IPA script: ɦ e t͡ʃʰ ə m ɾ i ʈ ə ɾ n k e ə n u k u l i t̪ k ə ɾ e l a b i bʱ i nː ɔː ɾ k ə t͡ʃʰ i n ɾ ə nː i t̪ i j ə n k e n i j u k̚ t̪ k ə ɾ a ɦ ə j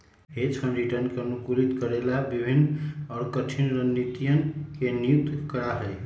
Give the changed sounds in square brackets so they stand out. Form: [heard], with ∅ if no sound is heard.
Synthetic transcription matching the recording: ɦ e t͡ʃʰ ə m ɾ i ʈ ə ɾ n k e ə n u k u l i t̪ k ə ɾ e l a b i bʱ i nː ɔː ɾ k ə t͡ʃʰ i n ɾ ə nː i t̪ i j ə n k e n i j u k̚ t̪ k ə ɾ a ɦ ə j